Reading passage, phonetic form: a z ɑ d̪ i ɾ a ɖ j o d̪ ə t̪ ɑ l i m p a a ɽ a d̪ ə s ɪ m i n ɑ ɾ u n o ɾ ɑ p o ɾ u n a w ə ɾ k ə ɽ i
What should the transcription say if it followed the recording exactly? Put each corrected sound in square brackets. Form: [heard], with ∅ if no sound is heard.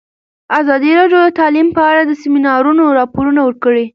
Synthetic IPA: a z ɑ d̪ i ɾ [ɑ] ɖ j o d̪ ə t̪ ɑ l i m p [ə] a ɽ a d̪ ə s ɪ m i n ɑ ɾ u n o ɾ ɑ p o ɾ u n a w ə ɾ k ə ɽ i